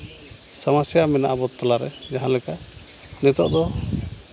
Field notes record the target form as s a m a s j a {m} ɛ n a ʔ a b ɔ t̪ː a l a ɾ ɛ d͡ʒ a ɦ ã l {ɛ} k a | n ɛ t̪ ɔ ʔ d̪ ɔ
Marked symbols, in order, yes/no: yes, yes

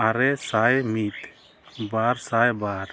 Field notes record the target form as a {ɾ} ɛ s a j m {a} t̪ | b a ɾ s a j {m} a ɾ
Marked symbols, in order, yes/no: yes, no, no

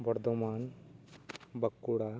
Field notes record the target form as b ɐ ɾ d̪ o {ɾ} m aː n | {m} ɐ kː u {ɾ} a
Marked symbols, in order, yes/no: no, no, no

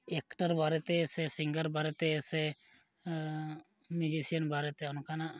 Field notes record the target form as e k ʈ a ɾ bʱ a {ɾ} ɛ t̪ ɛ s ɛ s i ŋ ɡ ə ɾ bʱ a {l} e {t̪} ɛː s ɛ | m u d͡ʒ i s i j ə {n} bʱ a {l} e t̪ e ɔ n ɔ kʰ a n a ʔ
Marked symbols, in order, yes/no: yes, no, yes, yes, no

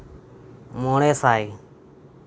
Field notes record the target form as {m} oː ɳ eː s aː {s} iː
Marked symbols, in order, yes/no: yes, no

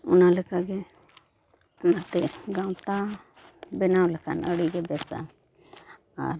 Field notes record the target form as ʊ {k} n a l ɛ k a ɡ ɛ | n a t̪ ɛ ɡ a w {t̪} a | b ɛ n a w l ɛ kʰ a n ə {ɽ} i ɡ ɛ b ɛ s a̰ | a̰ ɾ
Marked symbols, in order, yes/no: no, yes, yes

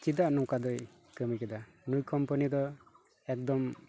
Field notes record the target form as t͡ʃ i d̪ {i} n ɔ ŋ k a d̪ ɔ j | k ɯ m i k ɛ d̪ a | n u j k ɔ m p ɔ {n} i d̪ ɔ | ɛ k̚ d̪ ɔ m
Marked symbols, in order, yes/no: no, yes

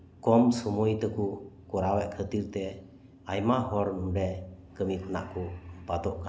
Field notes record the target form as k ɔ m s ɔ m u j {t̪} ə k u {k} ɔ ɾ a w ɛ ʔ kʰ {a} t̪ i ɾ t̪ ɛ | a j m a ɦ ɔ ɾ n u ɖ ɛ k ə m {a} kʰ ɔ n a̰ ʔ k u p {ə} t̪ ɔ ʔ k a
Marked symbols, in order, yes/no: yes, yes, no, no, no

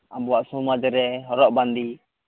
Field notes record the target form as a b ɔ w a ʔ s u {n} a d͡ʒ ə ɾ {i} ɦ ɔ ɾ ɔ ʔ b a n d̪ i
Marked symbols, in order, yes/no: no, no

